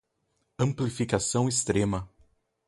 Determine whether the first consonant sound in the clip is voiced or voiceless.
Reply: voiced